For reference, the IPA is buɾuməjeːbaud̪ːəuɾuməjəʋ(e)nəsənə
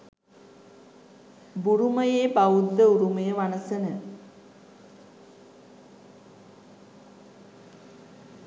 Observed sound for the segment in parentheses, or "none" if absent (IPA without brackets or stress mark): a